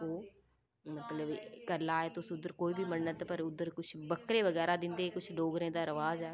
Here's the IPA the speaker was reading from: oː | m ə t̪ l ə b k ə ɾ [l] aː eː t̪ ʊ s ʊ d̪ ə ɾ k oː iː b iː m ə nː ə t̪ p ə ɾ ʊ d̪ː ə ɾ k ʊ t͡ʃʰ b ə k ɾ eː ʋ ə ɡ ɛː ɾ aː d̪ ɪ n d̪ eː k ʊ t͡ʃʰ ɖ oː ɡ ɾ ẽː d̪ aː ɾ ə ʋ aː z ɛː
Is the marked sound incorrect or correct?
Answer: correct